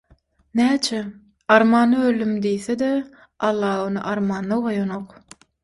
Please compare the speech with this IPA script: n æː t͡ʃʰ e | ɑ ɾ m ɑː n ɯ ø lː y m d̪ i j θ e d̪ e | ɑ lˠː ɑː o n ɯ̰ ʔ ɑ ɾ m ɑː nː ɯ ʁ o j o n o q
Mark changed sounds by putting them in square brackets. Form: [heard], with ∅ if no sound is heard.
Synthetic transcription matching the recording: n æː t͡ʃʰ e | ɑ ɾ m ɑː n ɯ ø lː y m d̪ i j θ e d̪ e | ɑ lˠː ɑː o n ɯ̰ ʔ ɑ ɾ m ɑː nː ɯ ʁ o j o n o q